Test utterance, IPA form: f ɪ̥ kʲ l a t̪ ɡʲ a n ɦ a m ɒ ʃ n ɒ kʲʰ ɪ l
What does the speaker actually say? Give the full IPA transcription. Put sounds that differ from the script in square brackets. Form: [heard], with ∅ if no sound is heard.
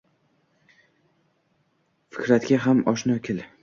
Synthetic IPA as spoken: f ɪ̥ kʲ [ɾ] a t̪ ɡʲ a [∅] ɦ a m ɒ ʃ n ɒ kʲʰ ɪ l